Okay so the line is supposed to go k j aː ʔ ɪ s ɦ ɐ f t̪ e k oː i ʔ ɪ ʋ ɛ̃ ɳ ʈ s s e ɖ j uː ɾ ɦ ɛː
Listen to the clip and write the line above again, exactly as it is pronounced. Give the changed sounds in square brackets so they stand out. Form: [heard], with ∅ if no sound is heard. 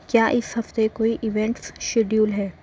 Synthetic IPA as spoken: k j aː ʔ ɪ s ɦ ɐ f t̪ e k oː i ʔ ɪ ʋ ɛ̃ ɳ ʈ s [ʃ] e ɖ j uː [l] ɦ ɛː